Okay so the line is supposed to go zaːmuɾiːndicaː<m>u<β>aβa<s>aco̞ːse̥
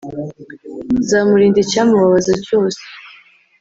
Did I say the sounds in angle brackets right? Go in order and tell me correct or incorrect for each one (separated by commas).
correct, correct, incorrect